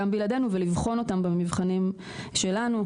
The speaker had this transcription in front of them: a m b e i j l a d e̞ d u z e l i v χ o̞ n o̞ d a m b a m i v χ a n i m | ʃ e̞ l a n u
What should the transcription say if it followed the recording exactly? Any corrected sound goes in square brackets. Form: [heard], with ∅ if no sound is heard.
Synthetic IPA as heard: a m b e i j l a d e̞ [n] u [v] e l i v χ o̞ n o̞ [t] a m b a m i v χ a n i m | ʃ e̞ l a n u